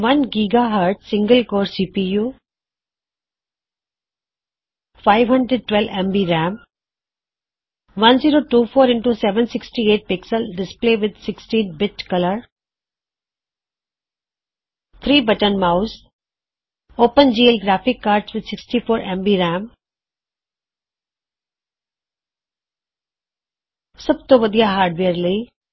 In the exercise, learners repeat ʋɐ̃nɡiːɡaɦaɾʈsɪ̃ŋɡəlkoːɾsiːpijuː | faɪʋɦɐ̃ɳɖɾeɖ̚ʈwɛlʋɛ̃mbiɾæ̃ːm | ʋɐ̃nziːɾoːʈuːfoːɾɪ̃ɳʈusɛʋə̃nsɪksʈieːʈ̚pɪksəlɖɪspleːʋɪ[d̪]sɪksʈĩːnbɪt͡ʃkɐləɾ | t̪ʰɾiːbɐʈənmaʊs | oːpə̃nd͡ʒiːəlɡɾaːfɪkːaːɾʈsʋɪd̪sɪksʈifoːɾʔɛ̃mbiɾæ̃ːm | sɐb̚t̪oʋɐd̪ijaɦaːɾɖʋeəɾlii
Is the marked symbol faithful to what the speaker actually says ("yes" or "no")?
yes